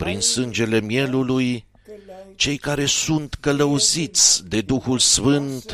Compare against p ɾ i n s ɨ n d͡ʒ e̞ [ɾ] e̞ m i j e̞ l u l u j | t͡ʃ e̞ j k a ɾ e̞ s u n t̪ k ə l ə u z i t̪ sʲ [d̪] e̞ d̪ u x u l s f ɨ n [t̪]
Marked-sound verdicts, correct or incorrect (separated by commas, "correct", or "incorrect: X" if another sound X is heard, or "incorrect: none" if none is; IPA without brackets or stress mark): incorrect: l, correct, correct